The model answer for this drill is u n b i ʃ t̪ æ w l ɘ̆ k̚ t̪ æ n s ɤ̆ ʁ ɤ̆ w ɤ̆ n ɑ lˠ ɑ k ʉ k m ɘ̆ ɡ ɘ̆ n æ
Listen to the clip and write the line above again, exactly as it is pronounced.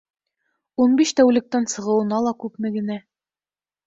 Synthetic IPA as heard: u n b i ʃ t̪ æ w l ɘ̆ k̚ t̪ æ n s ɤ̆ ʁ ɤ̆ w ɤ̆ n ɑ lˠ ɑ k ʉ p m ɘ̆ ɡ ɘ̆ n æ